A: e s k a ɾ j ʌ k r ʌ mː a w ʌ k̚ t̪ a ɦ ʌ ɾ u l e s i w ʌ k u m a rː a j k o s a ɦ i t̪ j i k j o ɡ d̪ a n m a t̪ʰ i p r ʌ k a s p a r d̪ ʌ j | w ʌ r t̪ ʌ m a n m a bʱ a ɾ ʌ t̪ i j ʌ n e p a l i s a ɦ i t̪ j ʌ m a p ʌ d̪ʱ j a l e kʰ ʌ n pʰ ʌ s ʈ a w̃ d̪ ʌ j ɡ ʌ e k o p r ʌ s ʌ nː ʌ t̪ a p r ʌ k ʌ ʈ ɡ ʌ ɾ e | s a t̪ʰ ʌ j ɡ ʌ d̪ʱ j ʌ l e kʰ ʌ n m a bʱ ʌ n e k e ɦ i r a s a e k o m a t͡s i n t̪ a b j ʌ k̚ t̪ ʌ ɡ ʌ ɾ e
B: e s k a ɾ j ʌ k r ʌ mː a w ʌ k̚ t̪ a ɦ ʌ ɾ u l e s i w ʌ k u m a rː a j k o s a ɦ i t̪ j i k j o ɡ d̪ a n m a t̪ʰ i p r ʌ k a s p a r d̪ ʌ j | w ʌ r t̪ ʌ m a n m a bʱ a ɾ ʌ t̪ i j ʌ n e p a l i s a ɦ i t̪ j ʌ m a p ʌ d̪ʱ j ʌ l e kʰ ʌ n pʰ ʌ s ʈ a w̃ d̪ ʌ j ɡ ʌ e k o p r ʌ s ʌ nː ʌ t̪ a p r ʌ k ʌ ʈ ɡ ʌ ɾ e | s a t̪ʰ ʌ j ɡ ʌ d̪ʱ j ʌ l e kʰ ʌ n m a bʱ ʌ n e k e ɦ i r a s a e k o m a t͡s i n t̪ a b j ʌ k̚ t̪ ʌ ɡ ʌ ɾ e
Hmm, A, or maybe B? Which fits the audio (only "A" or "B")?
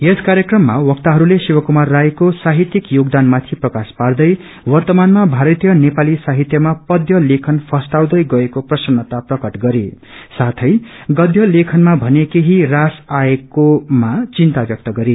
B